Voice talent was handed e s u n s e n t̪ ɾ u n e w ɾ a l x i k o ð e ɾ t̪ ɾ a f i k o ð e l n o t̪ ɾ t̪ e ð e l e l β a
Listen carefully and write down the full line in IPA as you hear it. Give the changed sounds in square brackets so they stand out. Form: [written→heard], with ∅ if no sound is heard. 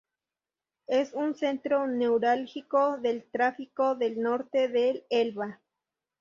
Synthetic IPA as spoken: e s u n s e n t̪ ɾ [u→o] n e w ɾ a l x i k o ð e [ɾ→l] t̪ ɾ a f i k o ð e l n o [t̪→∅] ɾ t̪ e ð e l e l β a